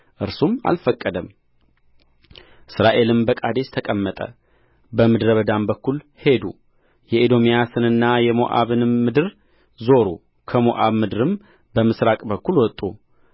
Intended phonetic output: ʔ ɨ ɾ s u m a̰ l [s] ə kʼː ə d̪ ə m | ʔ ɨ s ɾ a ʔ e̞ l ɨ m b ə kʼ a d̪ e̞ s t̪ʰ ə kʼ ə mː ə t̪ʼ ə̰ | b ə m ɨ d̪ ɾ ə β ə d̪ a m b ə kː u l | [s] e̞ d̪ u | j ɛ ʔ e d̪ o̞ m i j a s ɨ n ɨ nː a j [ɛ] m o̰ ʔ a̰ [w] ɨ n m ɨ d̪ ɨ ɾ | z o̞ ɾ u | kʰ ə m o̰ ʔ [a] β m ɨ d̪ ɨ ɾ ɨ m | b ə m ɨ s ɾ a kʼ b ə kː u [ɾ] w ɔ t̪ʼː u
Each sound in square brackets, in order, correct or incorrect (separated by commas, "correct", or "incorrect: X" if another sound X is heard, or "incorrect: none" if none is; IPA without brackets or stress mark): incorrect: f, incorrect: h, correct, incorrect: β, correct, incorrect: l